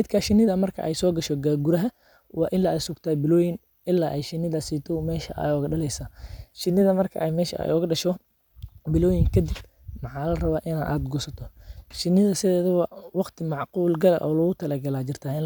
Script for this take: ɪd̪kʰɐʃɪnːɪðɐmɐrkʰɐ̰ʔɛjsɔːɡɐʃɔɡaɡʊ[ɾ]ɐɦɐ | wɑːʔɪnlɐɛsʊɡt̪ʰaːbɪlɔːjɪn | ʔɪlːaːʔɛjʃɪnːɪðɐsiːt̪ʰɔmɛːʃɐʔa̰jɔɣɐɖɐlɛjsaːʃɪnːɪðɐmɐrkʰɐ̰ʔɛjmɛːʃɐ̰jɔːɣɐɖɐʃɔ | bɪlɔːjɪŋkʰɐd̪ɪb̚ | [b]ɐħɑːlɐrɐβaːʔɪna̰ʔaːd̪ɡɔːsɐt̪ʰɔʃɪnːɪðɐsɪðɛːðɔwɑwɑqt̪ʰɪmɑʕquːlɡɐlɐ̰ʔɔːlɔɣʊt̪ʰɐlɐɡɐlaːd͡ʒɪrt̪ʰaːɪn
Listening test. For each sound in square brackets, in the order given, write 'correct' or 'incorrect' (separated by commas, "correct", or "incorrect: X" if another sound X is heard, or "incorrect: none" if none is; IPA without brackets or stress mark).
correct, incorrect: m